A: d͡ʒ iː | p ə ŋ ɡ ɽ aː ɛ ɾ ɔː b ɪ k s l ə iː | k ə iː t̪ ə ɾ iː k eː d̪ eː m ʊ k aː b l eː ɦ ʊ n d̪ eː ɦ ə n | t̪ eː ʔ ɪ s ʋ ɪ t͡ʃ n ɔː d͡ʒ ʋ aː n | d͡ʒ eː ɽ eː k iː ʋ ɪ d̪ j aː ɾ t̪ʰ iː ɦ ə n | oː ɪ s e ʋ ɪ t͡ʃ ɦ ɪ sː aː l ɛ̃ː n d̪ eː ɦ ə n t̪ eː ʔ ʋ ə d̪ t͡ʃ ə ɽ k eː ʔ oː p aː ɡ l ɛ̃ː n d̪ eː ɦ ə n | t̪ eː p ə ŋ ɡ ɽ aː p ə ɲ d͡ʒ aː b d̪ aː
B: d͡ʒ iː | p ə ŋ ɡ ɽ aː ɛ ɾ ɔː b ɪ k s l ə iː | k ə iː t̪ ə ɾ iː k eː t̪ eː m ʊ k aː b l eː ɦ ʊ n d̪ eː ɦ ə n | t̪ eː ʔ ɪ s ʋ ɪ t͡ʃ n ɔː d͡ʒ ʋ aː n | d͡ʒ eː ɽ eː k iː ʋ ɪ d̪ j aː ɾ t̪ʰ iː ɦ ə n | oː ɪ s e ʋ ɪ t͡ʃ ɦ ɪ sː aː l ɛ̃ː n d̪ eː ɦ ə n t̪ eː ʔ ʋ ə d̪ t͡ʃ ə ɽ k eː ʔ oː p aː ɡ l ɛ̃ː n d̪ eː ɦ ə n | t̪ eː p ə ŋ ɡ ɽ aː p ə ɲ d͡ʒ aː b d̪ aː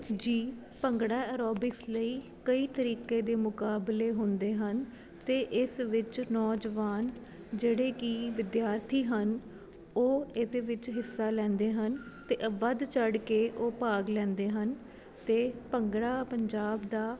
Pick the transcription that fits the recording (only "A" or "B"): A